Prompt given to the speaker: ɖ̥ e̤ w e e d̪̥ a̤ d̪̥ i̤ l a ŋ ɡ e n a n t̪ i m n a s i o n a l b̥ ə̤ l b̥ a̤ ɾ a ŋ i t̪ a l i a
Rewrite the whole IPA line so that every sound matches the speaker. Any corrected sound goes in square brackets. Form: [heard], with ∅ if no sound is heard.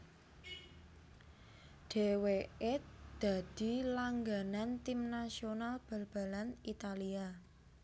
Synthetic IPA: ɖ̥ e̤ w e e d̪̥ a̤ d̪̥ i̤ l a ŋ ɡ [a] n a n t̪ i m n a s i o n a l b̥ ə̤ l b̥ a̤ [l] a [n] i t̪ a l i a